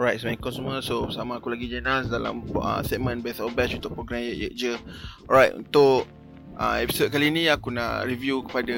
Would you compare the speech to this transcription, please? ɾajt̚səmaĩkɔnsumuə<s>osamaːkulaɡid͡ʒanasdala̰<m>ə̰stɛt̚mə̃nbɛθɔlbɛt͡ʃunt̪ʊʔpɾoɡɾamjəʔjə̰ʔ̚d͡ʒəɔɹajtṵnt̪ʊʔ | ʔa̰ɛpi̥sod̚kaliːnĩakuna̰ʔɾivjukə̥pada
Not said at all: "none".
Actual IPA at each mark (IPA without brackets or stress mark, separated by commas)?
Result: s, m